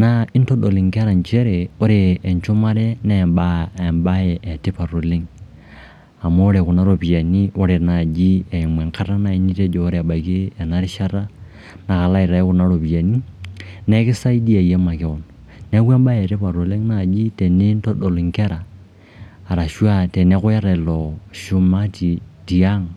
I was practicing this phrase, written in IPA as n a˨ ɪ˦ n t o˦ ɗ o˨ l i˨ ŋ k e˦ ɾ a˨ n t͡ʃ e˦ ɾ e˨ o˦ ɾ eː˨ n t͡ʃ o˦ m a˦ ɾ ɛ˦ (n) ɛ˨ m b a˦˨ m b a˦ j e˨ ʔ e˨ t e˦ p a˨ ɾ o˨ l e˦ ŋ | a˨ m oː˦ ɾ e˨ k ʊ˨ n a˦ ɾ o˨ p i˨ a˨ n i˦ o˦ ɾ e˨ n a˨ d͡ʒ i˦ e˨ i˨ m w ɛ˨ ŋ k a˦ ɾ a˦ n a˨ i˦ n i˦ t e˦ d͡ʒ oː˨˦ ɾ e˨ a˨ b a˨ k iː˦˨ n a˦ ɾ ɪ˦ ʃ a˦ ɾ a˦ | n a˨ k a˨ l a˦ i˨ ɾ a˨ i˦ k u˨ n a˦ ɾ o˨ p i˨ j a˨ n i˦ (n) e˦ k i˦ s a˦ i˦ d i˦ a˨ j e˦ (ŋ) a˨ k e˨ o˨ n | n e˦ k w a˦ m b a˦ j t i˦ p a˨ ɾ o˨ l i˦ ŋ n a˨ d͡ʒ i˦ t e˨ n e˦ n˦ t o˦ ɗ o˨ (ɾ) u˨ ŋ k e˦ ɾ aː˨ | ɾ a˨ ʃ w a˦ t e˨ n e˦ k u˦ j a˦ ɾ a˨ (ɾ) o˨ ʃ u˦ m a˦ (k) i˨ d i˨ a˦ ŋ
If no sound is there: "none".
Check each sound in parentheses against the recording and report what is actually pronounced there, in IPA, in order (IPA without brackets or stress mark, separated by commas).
n, n, m, l, l, t